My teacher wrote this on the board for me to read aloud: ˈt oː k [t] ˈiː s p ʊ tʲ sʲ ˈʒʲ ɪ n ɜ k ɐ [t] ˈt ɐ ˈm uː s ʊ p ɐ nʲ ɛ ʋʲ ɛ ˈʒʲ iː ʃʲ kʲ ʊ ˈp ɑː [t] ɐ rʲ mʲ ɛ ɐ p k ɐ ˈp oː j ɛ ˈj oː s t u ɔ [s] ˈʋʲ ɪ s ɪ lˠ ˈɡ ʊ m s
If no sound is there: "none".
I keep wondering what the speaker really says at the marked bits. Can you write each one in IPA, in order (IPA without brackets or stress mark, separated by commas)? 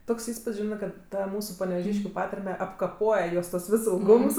s, t, t, s